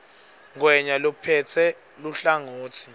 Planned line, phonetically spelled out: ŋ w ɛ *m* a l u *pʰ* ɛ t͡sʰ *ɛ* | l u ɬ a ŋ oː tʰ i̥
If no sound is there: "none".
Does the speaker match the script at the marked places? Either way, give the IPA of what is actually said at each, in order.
ɲ, pʰ, ɛ

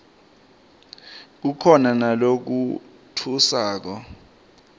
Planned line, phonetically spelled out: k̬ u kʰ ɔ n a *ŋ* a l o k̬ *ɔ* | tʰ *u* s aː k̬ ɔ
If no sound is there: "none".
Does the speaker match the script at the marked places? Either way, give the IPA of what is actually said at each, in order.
n, u, u

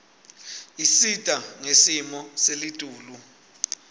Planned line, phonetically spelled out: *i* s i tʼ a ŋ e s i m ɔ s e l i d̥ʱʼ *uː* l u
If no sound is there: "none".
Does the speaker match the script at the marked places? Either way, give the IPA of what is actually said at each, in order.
i, uː

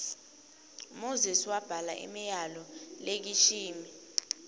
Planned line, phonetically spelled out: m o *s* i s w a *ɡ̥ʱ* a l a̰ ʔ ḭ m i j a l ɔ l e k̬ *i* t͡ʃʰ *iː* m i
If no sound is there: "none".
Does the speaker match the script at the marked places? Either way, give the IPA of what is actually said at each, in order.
z, b̥ʱ, i, iː

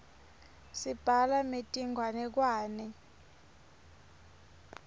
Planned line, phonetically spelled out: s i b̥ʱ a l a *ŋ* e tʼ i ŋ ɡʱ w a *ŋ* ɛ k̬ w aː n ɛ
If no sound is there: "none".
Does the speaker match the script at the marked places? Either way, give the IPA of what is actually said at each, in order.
m, n

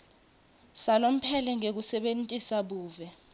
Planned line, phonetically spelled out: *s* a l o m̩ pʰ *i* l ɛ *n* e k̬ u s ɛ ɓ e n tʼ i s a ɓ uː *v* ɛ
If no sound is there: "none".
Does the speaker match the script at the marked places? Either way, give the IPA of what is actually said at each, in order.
s, ɛ, ŋ, v

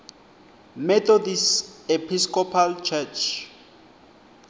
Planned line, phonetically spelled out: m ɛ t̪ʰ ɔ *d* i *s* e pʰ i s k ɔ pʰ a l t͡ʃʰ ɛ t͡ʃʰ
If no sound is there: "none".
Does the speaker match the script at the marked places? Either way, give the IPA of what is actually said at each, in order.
d, s

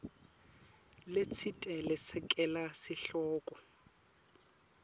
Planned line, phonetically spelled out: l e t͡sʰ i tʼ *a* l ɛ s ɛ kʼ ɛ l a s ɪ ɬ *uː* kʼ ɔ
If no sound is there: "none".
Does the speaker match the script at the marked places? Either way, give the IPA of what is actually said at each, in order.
ɛ, ɔː

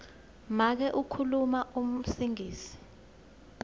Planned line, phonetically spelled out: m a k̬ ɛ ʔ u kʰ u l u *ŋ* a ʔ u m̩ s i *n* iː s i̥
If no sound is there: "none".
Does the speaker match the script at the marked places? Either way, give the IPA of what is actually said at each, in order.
m, ŋ

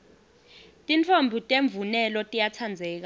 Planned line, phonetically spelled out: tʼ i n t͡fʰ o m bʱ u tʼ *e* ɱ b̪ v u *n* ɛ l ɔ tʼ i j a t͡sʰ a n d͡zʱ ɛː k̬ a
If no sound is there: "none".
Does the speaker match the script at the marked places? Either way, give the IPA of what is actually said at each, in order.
e, n

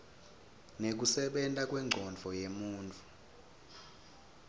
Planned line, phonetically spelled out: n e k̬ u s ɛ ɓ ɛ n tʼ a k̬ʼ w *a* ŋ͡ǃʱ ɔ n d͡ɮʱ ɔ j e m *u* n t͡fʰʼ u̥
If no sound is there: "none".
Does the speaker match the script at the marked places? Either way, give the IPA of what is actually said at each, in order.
ɛ, uː

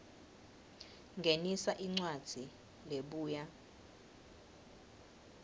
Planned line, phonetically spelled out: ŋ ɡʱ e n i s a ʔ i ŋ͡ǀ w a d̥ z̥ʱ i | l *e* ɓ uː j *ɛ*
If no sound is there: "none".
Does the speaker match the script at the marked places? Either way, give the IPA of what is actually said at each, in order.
e, a

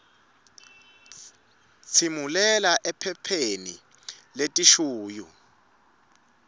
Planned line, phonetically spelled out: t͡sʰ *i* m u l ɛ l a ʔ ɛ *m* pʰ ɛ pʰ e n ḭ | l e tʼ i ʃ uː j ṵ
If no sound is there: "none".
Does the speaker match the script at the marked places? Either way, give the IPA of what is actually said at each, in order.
i, none

